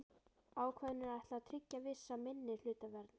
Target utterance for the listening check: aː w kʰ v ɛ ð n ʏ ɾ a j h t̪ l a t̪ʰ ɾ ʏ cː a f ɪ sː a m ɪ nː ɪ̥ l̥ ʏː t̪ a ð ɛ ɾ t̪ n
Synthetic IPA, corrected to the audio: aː w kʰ v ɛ ð n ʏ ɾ a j h t̪ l a t̪ʰ ɾ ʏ cː a v ɪ sː a m ɪ nː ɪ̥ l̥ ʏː t̪ a v ɛ ɾ t̪ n